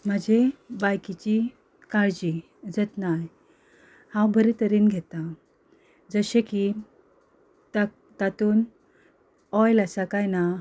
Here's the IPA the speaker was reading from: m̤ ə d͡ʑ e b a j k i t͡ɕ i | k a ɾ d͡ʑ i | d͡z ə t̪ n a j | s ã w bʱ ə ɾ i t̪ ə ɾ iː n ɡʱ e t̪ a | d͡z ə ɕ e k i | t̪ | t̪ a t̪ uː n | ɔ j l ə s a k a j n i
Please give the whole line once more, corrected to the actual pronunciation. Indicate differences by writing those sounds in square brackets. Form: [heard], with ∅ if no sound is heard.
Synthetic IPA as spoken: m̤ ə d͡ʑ e b a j k i t͡ɕ i | k a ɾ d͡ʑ i | d͡z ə t̪ n a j | [h] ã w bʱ ə ɾ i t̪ ə ɾ iː n ɡʱ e t̪ a | d͡z ə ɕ e k i | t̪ | t̪ a t̪ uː n | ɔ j l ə s a k a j n [a]